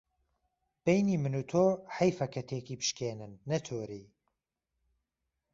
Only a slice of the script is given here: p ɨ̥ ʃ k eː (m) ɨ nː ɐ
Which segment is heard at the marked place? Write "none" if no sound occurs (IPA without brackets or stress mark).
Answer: n